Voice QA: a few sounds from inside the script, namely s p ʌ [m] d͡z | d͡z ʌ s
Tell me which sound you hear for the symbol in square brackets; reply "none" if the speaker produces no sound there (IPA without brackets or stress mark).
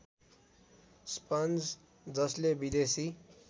n